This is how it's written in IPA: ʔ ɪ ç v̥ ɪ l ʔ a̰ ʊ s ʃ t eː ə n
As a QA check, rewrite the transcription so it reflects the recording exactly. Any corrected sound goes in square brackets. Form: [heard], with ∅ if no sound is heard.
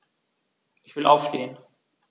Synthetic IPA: ʔ ɪ ç v̥ ɪ l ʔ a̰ ʊ [f] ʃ t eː ə n